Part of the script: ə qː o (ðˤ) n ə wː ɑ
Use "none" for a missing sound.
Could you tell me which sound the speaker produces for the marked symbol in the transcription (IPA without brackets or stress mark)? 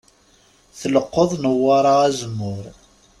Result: ðˤ